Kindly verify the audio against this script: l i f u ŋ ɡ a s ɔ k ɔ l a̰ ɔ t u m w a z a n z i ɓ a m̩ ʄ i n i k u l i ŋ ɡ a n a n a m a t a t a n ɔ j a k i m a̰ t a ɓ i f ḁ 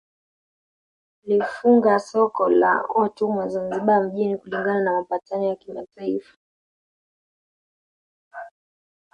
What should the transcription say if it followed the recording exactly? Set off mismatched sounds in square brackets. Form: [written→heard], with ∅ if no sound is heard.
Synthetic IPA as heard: l i f u ŋ ɡ a s ɔ k ɔ l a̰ ɔ t u m w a z a n z i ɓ a m̩ ʄ i n i k u l i ŋ ɡ a n a n a m a [t→p] a t a n ɔ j a k i m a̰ t a [ɓ→∅] i f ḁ